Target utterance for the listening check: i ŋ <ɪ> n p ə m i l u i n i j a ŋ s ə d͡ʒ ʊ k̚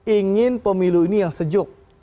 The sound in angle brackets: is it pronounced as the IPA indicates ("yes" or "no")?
yes